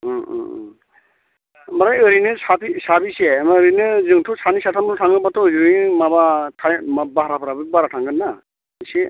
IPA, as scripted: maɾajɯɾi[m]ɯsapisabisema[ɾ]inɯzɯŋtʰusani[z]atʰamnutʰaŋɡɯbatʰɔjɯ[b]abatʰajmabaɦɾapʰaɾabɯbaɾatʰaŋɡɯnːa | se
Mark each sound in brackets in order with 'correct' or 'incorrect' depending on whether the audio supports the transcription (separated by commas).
incorrect, correct, incorrect, incorrect